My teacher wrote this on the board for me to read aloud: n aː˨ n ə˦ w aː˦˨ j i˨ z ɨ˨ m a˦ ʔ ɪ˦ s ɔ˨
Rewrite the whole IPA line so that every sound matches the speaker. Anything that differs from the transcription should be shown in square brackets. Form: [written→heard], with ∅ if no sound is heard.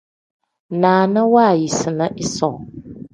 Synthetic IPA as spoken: n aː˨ n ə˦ w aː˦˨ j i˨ [z→s] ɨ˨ [m→n] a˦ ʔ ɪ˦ s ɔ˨